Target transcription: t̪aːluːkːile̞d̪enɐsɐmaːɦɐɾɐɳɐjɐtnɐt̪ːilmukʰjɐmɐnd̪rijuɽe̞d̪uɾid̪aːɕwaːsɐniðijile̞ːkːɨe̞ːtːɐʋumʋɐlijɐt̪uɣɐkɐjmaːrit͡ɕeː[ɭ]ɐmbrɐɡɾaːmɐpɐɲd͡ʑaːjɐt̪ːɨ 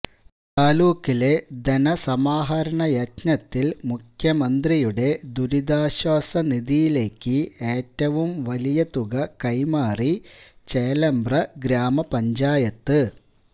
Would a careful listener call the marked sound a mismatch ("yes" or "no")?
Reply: yes